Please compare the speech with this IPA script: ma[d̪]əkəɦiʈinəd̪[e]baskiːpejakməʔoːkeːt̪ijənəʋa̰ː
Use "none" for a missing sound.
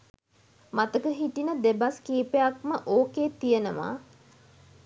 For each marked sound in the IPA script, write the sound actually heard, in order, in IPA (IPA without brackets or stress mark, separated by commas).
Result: t̪, e